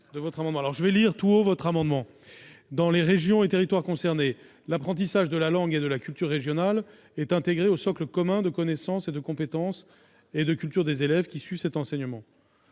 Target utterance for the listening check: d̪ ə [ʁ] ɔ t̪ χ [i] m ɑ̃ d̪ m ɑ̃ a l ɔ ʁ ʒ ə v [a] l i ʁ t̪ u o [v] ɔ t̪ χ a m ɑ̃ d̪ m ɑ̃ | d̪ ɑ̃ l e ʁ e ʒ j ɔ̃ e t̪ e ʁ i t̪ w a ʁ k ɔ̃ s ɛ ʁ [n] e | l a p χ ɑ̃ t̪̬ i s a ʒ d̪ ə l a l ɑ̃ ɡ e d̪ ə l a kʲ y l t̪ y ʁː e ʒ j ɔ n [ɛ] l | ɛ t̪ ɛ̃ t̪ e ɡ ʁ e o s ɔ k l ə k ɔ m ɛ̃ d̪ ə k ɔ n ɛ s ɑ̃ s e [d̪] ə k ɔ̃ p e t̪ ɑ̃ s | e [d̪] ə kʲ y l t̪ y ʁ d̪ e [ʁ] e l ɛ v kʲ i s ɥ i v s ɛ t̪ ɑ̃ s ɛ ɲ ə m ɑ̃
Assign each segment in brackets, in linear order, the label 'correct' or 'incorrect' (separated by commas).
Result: incorrect, incorrect, incorrect, correct, correct, incorrect, correct, correct, incorrect